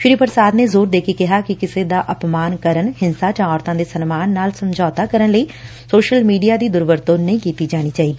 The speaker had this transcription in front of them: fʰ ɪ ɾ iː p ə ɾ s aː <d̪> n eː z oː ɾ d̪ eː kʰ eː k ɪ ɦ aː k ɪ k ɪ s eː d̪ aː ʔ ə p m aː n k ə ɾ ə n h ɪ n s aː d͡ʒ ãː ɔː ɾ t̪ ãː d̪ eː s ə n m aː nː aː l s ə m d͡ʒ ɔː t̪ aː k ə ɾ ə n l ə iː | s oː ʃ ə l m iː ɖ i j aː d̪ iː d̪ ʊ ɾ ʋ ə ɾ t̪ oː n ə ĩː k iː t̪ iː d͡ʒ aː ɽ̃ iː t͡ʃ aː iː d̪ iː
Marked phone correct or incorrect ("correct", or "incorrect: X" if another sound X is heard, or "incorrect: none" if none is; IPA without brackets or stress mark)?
correct